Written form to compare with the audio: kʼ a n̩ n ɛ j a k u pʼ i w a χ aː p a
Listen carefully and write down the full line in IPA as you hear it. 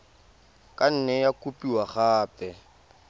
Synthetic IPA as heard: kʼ a n̩ n ɛ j a k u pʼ i w a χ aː p ɛ